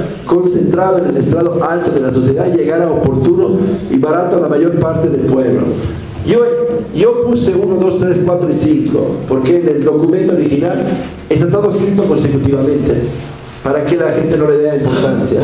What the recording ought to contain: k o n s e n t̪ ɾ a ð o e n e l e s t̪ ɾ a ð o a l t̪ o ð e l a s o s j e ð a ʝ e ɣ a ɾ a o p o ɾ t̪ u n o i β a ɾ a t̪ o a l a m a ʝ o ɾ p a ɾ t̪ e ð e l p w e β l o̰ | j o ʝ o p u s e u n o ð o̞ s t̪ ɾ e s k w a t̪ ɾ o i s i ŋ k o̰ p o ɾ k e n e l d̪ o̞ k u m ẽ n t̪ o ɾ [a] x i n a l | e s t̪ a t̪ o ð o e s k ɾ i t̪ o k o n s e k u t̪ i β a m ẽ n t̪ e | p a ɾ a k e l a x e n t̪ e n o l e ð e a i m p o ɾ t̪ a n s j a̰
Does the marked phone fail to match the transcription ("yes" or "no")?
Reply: yes